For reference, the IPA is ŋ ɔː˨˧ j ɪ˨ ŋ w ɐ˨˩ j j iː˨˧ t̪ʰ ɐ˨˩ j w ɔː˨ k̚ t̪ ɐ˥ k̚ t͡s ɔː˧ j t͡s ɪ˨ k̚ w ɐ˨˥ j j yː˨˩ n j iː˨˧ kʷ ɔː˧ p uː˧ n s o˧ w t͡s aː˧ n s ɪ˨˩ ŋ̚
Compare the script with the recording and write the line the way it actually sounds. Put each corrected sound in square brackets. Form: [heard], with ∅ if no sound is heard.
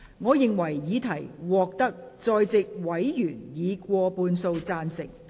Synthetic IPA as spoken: ŋ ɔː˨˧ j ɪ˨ ŋ w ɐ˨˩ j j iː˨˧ t̪ʰ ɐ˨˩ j w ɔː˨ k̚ t̪ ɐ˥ k̚ t͡s ɔː˧ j t͡s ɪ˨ k̚ w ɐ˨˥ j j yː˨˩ n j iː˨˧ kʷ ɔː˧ p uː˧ n s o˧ w t͡s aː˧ n s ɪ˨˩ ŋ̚